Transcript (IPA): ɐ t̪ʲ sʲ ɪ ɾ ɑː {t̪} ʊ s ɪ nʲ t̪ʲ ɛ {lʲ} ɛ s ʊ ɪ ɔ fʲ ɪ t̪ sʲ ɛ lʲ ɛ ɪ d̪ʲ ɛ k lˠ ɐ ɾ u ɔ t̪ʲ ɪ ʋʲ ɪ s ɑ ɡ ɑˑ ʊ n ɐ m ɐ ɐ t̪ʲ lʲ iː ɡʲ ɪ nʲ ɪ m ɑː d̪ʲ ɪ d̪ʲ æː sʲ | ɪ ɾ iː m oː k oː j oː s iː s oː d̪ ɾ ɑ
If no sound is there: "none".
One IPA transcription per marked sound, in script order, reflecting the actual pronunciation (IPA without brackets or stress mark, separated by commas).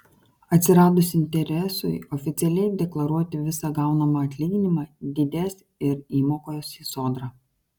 d̪, ɾʲ